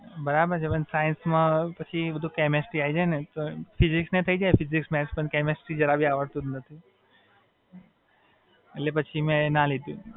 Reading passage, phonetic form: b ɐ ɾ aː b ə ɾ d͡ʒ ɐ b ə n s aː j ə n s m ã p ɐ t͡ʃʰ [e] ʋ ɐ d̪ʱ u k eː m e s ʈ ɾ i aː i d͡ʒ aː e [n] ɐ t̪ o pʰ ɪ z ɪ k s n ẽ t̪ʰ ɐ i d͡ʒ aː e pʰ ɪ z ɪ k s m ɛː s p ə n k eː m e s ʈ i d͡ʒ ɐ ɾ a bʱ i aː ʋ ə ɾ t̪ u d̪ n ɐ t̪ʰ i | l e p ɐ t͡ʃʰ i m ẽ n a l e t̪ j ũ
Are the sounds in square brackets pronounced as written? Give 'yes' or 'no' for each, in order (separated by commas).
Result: no, yes